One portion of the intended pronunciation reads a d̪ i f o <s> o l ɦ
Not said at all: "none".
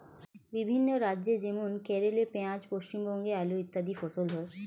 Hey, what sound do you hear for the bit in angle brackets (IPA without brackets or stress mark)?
s